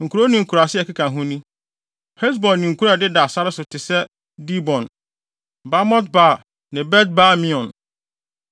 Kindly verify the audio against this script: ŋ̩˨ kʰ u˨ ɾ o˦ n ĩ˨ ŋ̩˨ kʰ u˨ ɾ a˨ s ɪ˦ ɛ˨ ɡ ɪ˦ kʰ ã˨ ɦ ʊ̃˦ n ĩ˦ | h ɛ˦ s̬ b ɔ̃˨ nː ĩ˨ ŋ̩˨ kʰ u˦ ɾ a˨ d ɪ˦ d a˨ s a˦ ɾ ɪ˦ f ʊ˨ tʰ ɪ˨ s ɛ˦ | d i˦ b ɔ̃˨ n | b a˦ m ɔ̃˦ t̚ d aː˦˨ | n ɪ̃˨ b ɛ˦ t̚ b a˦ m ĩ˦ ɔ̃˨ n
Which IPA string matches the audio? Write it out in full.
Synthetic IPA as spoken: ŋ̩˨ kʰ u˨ ɾ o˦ n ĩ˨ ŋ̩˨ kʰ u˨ ɾ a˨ s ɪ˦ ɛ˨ k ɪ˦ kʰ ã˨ ɦ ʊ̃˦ n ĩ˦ | h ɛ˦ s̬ b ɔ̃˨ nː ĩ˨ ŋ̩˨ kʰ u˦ ɾ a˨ d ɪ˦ d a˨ s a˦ ɾ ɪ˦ s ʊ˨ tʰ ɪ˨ s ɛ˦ | d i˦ b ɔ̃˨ n | b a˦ m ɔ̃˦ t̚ b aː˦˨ | n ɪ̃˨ b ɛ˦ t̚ b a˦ m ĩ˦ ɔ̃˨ n